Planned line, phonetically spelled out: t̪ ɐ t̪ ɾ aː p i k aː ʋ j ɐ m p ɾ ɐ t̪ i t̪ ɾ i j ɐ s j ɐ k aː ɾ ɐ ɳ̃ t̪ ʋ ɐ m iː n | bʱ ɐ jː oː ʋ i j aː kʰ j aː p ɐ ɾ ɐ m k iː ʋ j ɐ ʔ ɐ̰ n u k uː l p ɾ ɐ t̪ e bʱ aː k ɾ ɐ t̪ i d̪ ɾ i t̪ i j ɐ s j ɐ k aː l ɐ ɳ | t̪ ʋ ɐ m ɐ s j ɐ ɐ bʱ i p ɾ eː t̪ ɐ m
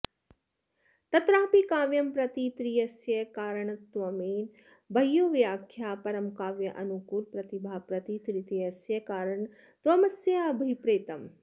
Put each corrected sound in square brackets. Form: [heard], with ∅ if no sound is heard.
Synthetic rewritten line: t̪ ɐ t̪ ɾ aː p i k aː ʋ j ɐ m p ɾ ɐ t̪ i t̪ ɾ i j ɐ s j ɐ k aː ɾ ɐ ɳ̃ t̪ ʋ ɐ m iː n | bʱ ɐ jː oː ʋ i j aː kʰ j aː p ɐ ɾ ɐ m k [aː] ʋ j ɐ ʔ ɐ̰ n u k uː l p ɾ ɐ t̪ [i] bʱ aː [p] ɾ ɐ t̪ i [t̪] ɾ i t̪ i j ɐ s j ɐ k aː [ɾ] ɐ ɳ | t̪ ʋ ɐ m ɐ s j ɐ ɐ bʱ i p ɾ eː t̪ ɐ m